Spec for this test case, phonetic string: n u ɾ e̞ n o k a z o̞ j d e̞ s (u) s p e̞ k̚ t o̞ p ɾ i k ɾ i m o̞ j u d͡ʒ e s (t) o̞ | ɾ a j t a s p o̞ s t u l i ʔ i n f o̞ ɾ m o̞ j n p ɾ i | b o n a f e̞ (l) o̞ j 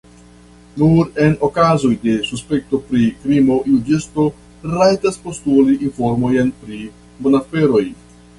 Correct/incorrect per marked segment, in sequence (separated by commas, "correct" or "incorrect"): correct, correct, incorrect